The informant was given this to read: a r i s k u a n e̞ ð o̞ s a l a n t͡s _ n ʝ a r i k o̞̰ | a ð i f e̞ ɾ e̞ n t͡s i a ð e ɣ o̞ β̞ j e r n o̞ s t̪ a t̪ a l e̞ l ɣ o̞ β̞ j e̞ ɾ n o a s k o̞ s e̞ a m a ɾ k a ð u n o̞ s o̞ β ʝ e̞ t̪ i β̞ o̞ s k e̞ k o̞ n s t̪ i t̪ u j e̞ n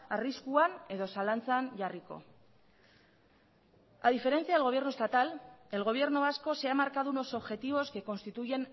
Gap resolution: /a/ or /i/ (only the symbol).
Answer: a